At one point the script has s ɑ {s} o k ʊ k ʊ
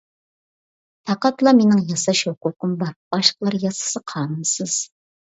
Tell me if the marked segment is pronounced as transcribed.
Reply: no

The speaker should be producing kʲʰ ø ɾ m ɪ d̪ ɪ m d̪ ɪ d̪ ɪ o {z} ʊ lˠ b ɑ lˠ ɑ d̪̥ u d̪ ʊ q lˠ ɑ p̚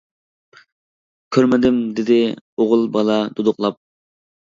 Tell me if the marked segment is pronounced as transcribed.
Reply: no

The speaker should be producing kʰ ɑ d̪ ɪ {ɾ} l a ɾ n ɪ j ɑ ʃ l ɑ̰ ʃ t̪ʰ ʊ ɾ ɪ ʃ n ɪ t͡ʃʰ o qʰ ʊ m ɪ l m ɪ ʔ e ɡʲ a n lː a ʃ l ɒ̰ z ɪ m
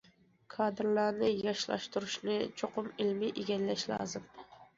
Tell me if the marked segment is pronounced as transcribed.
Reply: yes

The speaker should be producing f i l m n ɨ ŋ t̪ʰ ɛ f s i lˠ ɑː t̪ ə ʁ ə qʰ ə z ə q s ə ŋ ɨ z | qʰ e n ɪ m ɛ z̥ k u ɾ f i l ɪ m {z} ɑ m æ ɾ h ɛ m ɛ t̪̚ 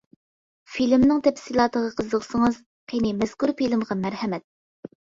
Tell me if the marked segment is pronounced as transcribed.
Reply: no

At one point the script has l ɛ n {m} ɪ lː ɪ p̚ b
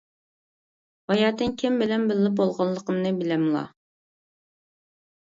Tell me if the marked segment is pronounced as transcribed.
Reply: no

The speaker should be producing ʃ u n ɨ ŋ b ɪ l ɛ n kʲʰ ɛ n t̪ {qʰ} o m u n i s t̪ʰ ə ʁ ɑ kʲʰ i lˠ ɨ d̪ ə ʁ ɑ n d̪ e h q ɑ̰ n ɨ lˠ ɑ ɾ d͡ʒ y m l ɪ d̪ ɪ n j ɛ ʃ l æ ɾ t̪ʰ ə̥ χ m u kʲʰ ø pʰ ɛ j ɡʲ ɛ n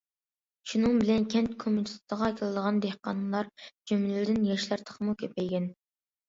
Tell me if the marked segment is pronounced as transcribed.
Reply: no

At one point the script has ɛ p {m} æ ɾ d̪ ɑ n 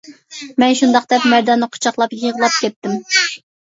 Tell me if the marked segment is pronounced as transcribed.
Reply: yes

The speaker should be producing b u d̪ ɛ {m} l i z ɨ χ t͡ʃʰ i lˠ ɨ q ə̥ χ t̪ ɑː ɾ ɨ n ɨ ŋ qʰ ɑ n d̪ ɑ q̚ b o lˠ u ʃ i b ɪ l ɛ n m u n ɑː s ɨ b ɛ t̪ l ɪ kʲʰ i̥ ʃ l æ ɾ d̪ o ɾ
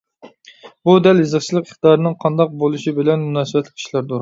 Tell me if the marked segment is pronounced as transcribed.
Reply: no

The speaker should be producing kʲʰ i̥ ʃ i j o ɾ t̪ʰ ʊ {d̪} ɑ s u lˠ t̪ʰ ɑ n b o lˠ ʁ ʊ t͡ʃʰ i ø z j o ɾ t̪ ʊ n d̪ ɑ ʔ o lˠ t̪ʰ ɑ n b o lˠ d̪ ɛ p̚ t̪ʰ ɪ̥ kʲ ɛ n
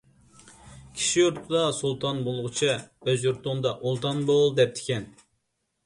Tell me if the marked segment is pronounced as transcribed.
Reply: yes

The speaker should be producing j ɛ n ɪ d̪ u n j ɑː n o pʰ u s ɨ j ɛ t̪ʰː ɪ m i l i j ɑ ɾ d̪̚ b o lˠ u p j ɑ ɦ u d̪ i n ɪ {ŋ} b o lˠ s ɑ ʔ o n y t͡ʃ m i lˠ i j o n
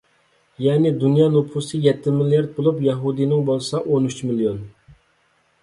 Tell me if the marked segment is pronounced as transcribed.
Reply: yes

